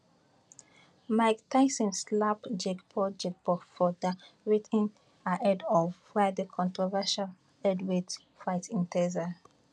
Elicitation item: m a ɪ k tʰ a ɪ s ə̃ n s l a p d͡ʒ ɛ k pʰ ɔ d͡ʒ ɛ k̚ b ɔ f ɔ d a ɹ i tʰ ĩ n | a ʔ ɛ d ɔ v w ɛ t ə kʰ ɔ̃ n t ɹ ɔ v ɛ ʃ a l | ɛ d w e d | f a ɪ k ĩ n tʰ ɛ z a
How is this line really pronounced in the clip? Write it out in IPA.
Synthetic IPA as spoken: m a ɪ k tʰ a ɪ s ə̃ n s l a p d͡ʒ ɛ k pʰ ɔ d͡ʒ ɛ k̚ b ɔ f ɔ d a ɹ i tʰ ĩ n | a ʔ ɛ d ɔ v w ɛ d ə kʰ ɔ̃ n t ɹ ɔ v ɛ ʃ a l | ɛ d w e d | f a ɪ t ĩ n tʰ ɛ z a